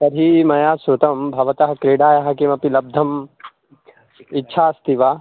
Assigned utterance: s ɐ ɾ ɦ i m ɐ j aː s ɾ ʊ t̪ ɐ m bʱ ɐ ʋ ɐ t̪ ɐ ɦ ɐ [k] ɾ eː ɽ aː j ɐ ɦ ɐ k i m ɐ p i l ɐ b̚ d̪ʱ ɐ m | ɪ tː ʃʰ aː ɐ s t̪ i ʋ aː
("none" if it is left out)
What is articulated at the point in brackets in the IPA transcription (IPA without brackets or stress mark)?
k